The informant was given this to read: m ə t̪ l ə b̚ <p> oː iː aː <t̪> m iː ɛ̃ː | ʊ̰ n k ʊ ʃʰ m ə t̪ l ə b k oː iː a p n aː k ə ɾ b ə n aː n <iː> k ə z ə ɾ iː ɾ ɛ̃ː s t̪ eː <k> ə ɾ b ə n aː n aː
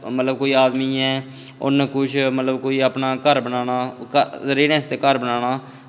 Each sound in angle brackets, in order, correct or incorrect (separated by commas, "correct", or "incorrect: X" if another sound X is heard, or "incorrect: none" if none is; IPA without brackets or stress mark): incorrect: k, incorrect: d̪, incorrect: aː, correct